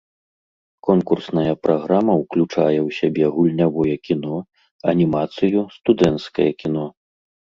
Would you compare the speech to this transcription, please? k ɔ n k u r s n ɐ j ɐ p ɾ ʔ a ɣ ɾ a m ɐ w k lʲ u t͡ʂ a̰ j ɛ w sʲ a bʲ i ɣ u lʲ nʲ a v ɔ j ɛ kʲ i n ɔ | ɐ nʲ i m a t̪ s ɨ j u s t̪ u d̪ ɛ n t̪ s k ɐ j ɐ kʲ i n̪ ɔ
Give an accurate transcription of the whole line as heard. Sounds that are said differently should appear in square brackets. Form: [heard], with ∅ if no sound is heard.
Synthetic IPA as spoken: k ɔ n k u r s n ɐ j ɐ p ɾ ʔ a ɣ ɾ a m ɐ w k lʲ u t͡ʂ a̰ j ɛ w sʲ a bʲ [ɛ] ɣ u lʲ nʲ a v ɔ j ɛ kʲ i n ɔ | ɐ nʲ i m a t̪ s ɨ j u s t̪ u d̪ ɛ n t̪ s k ɐ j ɐ kʲ i n̪ ɔ